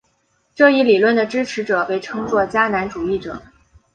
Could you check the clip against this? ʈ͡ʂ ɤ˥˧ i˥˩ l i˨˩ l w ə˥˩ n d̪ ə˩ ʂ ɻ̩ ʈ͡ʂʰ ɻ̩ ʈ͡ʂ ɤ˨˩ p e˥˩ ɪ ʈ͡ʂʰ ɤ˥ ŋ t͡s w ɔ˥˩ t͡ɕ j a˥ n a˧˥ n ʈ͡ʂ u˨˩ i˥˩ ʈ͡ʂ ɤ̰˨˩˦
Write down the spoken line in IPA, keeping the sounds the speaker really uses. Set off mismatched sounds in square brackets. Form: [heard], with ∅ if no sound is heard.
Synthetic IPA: ʈ͡ʂ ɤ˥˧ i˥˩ l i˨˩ l w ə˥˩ n d̪ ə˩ [ʈ͡ʂ] ɻ̩ ʈ͡ʂʰ ɻ̩ ʈ͡ʂ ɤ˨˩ p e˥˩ ɪ ʈ͡ʂʰ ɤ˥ ŋ t͡s w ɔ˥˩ t͡ɕ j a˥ n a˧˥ n ʈ͡ʂ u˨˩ i˥˩ ʈ͡ʂ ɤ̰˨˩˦

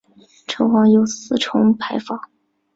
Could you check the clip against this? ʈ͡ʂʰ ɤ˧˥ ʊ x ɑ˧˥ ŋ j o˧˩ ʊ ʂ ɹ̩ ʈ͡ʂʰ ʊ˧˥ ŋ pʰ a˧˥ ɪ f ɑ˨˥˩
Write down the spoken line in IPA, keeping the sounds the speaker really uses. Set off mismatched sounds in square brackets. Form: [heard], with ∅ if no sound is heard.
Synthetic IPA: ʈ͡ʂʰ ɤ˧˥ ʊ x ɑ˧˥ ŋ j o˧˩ ʊ [s] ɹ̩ ʈ͡ʂʰ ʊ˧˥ ŋ pʰ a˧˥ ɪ f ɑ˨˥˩

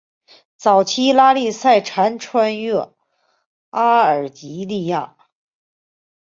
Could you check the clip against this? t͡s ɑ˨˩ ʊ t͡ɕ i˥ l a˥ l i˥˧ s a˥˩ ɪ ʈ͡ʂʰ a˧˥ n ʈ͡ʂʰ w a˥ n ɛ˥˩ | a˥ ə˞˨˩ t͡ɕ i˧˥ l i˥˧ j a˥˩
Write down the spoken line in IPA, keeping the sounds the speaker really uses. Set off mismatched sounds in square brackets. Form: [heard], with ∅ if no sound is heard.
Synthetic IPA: t͡s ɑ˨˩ ʊ [t͡ɕʰ] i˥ l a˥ l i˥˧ s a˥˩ ɪ ʈ͡ʂʰ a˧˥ n ʈ͡ʂʰ w a˥ n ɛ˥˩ | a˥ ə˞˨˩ t͡ɕ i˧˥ l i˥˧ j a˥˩

